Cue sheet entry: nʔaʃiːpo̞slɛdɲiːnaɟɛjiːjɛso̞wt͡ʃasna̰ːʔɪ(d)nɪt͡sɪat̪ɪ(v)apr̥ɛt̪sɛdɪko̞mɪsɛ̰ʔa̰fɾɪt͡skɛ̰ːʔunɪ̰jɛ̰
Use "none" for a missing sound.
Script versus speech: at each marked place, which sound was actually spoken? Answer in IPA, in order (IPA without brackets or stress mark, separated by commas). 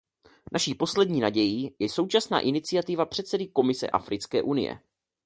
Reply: none, v